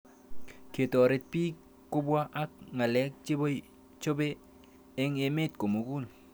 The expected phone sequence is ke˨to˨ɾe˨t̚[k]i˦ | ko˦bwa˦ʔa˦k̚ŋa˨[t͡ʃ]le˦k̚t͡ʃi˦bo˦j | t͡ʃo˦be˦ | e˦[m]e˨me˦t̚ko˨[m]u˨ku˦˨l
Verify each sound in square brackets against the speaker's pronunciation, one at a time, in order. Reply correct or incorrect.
incorrect: p, incorrect: none, incorrect: ŋ, correct

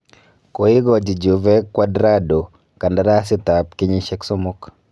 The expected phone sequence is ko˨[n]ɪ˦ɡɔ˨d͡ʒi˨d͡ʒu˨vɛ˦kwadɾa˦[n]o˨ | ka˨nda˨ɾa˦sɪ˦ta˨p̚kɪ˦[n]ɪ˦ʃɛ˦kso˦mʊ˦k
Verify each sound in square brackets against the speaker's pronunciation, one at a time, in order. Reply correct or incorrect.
incorrect: none, incorrect: d, incorrect: ɲ

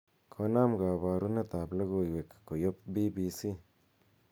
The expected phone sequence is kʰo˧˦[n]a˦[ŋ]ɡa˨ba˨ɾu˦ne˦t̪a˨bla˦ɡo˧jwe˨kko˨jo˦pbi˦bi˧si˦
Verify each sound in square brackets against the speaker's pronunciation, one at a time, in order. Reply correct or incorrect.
correct, incorrect: m

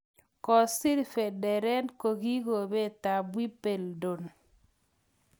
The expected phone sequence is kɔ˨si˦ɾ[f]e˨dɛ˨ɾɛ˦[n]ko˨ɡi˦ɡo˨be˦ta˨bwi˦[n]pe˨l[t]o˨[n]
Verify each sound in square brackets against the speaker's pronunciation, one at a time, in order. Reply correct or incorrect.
correct, correct, incorrect: none, incorrect: d, correct

